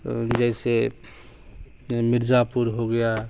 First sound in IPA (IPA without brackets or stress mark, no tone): d͡ʒ